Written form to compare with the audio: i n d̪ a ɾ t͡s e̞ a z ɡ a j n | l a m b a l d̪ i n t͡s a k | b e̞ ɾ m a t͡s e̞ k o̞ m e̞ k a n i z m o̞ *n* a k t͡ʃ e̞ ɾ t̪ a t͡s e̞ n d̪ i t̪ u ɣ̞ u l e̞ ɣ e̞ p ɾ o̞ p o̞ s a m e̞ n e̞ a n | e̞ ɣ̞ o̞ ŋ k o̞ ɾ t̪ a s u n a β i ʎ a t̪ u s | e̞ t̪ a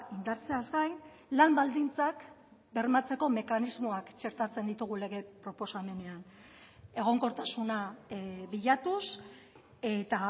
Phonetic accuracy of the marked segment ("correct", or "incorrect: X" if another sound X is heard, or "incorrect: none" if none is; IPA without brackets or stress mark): incorrect: none